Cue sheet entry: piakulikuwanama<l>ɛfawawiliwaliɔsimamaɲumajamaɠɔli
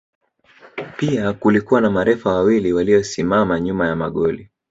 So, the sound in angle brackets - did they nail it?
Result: no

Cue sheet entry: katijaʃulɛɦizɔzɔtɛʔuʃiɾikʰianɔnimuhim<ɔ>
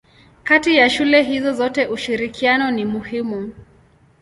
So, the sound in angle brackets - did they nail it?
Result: no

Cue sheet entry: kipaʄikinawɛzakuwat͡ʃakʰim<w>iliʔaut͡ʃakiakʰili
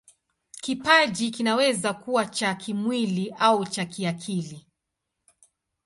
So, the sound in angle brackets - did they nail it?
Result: yes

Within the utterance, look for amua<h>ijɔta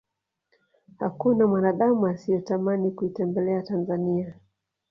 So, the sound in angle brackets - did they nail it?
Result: no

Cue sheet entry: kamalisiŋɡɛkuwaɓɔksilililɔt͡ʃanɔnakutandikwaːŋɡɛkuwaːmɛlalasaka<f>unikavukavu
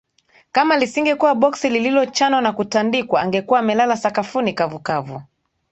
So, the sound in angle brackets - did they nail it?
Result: yes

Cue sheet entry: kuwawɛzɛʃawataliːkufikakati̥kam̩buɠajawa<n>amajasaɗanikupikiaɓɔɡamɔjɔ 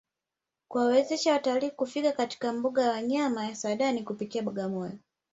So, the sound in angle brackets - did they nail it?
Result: no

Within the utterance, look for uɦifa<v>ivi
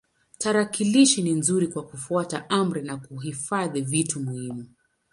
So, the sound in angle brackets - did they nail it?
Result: no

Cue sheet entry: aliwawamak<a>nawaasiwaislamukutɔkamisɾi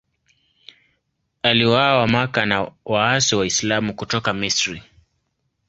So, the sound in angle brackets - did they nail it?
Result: yes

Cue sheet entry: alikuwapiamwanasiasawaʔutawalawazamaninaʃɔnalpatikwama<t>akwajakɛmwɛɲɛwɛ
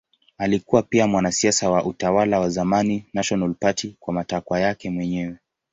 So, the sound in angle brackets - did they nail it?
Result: yes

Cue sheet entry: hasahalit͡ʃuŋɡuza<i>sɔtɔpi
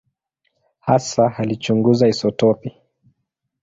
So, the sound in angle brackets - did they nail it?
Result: yes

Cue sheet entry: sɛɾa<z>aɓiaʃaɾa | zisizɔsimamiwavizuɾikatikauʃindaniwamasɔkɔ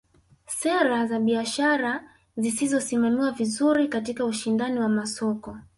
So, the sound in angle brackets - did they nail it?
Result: yes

